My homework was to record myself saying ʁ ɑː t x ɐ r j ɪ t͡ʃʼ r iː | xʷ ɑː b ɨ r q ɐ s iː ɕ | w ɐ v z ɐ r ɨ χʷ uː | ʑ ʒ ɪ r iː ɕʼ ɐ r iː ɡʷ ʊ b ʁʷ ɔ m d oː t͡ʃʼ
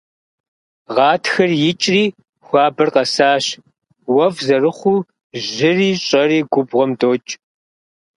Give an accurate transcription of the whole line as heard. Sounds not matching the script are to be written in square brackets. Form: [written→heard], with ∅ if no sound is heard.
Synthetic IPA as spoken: ʁ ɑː t x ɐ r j ɪ t͡ʃʼ r iː | xʷ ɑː b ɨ r q ɐ s [iː→aː] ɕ | w ɐ v z ɐ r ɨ χʷ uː | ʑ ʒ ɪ r iː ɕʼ ɐ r iː ɡʷ ʊ b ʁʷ ɔ m d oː t͡ʃʼ